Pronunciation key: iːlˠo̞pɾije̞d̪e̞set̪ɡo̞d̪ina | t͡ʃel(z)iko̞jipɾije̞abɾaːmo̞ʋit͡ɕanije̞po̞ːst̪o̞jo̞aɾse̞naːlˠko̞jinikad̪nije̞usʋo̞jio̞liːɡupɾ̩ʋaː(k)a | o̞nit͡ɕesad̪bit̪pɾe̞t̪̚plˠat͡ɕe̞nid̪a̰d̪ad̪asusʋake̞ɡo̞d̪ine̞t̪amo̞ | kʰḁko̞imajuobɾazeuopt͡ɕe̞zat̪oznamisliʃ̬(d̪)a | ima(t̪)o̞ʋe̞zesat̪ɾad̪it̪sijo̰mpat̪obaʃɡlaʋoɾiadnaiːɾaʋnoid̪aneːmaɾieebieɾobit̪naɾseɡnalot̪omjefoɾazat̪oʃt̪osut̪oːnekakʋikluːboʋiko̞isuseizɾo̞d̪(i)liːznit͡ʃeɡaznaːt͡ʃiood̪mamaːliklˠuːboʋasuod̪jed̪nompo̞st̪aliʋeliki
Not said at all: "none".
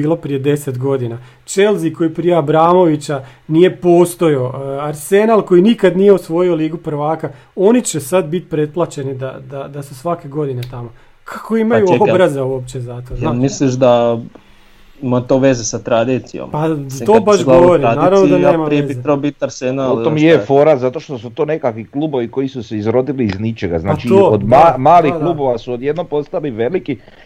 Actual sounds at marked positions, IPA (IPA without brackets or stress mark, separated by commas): z, k, d̪, t̪, i